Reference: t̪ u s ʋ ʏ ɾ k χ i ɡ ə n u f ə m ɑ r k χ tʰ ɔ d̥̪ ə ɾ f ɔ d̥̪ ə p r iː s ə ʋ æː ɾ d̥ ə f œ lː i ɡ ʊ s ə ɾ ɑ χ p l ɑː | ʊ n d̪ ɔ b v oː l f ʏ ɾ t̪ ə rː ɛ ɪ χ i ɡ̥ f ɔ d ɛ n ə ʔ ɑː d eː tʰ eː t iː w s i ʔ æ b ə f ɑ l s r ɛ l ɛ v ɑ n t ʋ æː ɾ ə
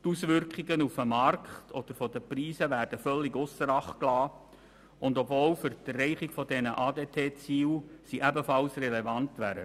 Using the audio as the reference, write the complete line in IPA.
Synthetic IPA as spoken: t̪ u s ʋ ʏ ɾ k χ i ɡ ə n u f ə m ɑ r k χ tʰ ɔ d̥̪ ə ɾ f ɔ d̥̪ ə p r iː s ə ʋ æː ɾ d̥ ə f œ lː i ɡ ʊ s ə ɾ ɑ χ k l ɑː | ʊ n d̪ ɔ b v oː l f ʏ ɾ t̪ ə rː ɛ ɪ χ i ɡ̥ f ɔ d ɛ n ə ʔ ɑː d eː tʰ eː t͡s iː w s i ʔ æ b ə f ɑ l s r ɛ l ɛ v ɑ n t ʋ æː ɾ ə